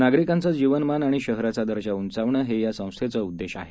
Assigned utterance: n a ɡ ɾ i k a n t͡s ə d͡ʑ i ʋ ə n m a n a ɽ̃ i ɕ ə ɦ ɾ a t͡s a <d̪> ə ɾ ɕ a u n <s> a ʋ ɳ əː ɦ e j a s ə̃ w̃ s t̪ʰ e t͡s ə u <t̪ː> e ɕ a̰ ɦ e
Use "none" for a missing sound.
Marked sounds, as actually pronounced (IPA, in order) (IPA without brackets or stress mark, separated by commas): d̪, t͡s, d̪ː